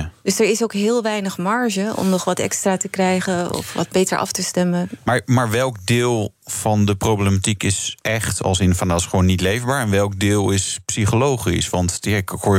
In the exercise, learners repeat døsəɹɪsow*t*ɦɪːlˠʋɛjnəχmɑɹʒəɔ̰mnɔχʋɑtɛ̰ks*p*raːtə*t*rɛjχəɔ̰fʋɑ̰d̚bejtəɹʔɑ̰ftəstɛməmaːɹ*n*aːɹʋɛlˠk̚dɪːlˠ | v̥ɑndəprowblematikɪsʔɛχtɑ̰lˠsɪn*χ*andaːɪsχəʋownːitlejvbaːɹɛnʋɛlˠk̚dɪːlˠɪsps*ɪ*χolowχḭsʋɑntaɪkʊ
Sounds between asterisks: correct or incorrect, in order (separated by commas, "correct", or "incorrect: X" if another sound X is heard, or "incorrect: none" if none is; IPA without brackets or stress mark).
incorrect: k, incorrect: t, incorrect: k, incorrect: m, incorrect: f, incorrect: i